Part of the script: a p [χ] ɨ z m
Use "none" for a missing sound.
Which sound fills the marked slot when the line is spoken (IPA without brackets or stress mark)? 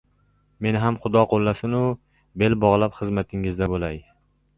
χ